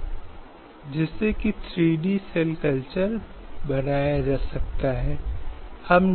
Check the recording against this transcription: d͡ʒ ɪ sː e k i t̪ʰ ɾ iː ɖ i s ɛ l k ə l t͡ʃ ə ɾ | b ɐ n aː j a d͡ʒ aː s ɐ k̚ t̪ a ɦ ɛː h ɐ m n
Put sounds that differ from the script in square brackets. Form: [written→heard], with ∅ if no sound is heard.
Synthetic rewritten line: d͡ʒ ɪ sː e k i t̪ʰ ɾ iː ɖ i s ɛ l k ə l t͡ʃ ə ɾ | b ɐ n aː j a d͡ʒ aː s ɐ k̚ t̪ a ɦ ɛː h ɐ m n